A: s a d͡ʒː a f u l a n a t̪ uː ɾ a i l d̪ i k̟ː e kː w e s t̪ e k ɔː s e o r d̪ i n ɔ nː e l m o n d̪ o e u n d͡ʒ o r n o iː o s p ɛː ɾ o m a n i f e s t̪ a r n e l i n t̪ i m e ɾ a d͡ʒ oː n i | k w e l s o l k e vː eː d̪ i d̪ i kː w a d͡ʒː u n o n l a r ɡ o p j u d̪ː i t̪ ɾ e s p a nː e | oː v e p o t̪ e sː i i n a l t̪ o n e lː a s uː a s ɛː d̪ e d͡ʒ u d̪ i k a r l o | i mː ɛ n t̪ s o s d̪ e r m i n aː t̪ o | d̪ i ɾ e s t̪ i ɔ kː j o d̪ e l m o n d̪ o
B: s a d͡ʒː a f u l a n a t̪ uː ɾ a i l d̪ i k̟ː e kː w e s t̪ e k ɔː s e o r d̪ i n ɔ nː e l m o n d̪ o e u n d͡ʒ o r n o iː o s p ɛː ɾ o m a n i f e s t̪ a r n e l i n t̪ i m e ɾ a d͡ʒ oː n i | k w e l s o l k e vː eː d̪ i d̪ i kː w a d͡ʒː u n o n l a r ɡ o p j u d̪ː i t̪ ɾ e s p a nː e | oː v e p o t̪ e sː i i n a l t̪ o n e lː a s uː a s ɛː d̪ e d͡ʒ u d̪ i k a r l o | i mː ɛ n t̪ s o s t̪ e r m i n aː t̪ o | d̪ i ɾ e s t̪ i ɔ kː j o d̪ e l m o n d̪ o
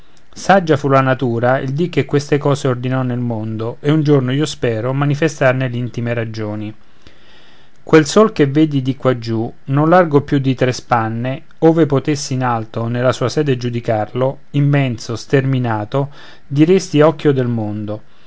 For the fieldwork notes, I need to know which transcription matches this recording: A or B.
B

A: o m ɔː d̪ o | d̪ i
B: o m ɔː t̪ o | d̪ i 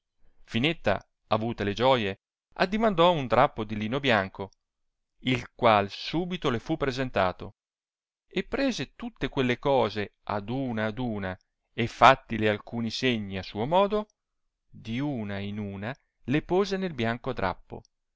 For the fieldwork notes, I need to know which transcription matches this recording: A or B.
A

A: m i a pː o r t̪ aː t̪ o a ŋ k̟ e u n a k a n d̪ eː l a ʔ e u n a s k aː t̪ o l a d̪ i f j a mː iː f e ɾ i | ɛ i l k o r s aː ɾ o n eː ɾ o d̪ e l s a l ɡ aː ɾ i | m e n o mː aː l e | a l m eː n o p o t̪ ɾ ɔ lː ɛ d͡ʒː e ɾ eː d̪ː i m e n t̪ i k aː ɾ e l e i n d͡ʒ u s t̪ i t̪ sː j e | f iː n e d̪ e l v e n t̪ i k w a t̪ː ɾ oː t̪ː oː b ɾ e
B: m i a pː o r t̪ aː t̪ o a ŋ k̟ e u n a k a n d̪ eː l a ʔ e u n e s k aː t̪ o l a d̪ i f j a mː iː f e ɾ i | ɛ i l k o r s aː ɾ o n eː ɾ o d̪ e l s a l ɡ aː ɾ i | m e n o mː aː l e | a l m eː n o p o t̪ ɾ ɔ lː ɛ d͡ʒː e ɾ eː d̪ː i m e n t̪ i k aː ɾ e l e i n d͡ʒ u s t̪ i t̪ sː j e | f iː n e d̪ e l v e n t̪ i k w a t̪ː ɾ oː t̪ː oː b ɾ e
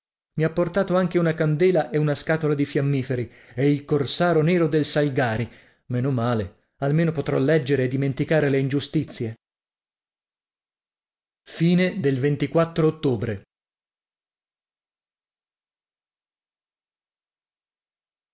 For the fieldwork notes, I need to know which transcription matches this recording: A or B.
A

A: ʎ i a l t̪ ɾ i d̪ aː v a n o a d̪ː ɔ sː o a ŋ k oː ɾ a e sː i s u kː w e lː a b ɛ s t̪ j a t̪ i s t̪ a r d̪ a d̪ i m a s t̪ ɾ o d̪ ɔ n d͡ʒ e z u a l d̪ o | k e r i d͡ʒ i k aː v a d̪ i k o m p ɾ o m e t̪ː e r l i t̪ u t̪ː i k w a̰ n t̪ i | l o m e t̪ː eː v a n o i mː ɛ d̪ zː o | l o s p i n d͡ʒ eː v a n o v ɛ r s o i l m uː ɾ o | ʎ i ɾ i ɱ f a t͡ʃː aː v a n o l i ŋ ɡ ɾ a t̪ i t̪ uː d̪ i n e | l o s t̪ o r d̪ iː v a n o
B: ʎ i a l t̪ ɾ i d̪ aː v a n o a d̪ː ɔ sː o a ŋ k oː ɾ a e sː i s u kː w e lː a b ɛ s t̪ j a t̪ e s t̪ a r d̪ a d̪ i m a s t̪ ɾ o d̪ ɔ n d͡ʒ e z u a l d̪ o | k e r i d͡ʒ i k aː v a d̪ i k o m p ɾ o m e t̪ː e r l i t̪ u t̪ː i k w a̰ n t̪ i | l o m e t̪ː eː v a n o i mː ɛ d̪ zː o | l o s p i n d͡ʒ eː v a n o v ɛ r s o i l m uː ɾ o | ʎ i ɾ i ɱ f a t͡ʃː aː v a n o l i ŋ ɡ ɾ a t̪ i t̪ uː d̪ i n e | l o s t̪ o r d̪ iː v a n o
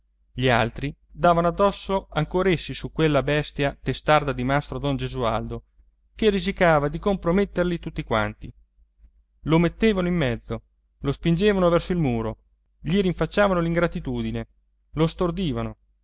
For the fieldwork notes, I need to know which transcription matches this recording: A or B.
B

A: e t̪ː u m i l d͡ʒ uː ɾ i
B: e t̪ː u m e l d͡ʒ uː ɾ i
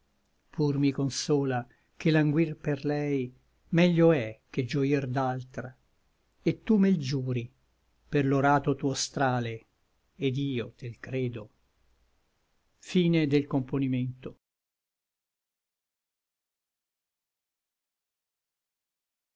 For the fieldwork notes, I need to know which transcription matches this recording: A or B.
B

